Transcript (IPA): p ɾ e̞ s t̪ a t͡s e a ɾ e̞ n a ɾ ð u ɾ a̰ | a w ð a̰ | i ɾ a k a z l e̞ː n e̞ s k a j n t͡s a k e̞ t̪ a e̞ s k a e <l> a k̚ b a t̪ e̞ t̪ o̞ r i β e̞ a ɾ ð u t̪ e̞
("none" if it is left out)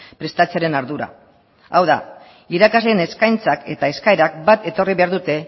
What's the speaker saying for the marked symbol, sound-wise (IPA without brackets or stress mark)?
ɾ